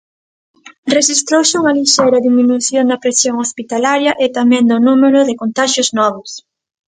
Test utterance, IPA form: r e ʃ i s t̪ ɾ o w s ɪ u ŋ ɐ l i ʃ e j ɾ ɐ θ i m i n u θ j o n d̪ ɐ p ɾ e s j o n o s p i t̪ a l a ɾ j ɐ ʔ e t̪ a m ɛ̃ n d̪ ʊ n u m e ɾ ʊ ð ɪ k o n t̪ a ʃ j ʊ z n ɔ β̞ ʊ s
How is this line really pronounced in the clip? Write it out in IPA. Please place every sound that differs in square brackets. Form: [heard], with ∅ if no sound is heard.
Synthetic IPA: r e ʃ i s t̪ ɾ o w s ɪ u ŋ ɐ l i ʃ e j ɾ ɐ [ð] i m i n u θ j o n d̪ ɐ p ɾ e s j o [ŋ] o s p i t̪ a l a ɾ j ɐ ʔ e t̪ a m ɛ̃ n d̪ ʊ n u m e ɾ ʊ ð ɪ k o n t̪ a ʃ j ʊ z n ɔ β̞ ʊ s

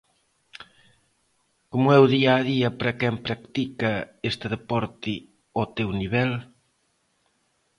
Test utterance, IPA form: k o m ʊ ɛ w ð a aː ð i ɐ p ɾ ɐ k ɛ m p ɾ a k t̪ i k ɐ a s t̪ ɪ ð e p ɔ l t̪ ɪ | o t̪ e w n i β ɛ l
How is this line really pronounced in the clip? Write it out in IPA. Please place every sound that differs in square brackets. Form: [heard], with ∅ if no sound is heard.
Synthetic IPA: k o m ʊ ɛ w ð [i] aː ð i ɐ p ɾ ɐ k ɛ m p ɾ a k t̪ i k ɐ [e] s t̪ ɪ ð e p ɔ [ɾ] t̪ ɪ | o t̪ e w n i β ɛ l

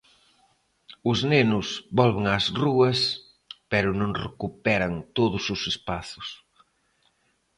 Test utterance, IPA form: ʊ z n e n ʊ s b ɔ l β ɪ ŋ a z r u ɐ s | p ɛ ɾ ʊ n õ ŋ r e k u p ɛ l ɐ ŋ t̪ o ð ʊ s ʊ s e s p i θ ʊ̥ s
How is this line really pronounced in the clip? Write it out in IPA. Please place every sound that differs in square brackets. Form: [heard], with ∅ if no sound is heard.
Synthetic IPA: ʊ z n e n ʊ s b ɔ l β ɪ ŋ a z r u ɐ s | p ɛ ɾ ʊ n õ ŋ r e k u p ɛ [ɾ] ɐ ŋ t̪ o ð ʊ s ʊ s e s p [a] θ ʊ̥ s

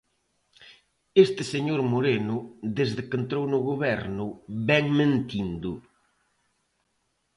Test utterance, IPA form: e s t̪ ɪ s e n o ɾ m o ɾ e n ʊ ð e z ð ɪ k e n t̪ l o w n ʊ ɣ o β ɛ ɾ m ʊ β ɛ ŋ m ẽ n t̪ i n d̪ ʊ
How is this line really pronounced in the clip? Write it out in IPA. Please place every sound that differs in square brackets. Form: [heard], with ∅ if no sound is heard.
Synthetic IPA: e s t̪ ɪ s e [ɲ] o ɾ m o ɾ e n ʊ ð e z ð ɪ k e n t̪ [ɾ] o w n ʊ ɣ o β ɛ ɾ [n] ʊ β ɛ ŋ m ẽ n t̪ i n d̪ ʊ

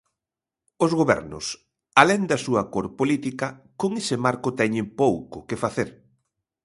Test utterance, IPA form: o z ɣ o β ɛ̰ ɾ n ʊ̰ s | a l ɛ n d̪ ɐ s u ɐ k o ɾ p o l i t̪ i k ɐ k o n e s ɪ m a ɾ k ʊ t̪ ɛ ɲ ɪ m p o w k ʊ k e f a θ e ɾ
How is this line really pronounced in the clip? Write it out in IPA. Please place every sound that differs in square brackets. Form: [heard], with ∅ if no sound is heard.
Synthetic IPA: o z ɣ o β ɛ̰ ɾ n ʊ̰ s | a l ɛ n d̪ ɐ s u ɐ k o ɾ p o l i t̪ i k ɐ k o [ŋ] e s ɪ m a ɾ k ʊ t̪ ɛ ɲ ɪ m p o w k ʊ k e f a θ e ɾ

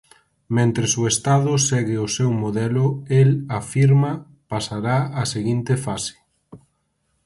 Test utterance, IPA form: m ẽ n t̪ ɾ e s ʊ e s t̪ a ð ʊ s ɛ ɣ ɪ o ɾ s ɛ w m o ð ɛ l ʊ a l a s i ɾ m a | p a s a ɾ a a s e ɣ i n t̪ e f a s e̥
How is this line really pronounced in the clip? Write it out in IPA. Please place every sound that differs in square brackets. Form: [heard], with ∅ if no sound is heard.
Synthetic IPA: m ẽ n t̪ ɾ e s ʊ e s t̪ a ð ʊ s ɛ ɣ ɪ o [∅] s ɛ w m o ð ɛ l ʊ [e] l a [f] i ɾ m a | p a s a ɾ a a s e ɣ i n t̪ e f a s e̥

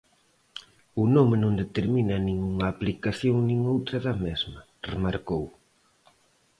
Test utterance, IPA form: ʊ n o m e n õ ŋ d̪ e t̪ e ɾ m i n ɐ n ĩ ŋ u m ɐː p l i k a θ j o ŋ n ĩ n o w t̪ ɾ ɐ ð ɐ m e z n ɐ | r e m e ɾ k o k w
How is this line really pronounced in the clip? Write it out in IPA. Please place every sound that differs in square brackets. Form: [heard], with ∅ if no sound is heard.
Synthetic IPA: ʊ n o m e n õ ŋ d̪ e t̪ e ɾ m i n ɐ n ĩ ŋ u [ŋ] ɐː p l i k a θ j o ŋ n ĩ [ŋ] o w t̪ ɾ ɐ ð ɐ m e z [m] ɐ | r e m [a] ɾ k o [∅] w

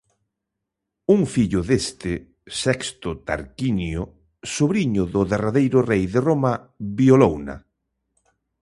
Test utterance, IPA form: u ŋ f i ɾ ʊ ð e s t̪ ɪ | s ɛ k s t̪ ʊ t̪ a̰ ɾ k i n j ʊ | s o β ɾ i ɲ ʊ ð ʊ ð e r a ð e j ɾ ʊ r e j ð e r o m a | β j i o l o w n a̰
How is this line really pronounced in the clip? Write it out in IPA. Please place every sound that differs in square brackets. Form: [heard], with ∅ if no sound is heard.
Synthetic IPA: u ŋ f i [ʎ] ʊ ð e s t̪ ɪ | s ɛ k s t̪ ʊ t̪ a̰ ɾ k i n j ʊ | s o β ɾ i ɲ ʊ ð ʊ ð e r a ð e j ɾ ʊ r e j ð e r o m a | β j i o l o w n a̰

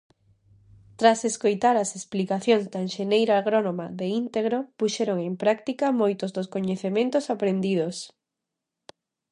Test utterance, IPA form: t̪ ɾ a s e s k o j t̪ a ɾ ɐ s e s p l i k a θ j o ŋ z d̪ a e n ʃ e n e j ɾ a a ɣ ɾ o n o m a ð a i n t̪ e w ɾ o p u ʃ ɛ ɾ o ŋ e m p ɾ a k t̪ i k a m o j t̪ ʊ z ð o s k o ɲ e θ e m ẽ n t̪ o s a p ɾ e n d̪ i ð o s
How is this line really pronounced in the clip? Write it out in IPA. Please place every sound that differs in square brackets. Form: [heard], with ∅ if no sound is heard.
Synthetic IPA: t̪ ɾ a s e s k o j t̪ a ɾ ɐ s e s p l i k a θ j o ŋ z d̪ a e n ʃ e n e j ɾ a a ɣ ɾ o n o m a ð [e] i n t̪ e [ɣ] ɾ o p u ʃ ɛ ɾ o ŋ e m p ɾ a k t̪ i k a m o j t̪ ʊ z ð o s k o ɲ e θ e m ẽ n t̪ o s a p ɾ e n d̪ i ð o s

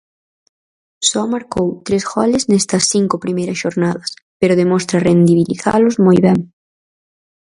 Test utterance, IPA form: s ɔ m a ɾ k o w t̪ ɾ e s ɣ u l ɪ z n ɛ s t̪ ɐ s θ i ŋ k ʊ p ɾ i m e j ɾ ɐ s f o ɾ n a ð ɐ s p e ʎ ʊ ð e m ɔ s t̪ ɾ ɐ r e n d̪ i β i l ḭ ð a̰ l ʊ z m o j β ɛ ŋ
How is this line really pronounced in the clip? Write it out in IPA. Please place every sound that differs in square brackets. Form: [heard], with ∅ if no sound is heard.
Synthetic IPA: s ɔ m a ɾ k o w t̪ ɾ e s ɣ [ɔ] l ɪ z n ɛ s t̪ ɐ s θ i ŋ k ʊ p ɾ i m e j ɾ ɐ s [ʃ] o ɾ n a ð ɐ s p e [ɾ] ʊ ð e m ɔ s t̪ ɾ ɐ r e n d̪ i β i l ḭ [θ] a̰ l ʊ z m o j β ɛ ŋ

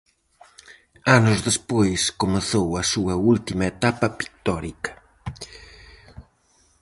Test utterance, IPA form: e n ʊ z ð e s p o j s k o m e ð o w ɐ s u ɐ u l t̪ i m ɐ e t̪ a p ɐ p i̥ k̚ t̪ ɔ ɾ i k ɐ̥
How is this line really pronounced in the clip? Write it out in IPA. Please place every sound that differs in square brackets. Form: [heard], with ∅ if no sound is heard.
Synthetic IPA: [a] n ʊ z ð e s p o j s k o m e [θ] o w ɐ s u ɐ u l t̪ i m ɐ e t̪ a p ɐ p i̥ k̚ t̪ ɔ ɾ i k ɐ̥

